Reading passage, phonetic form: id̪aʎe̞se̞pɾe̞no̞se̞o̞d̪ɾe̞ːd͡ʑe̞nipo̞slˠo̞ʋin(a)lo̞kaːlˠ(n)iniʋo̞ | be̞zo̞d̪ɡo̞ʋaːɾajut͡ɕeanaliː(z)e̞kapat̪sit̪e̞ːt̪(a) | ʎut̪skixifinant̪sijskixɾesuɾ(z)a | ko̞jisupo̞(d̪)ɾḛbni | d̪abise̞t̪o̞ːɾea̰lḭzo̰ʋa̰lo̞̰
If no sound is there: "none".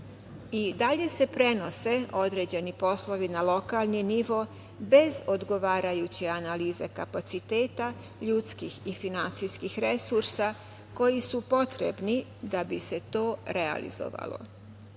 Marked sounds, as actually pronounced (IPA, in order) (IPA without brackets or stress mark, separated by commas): a, n, z, a, s, t̪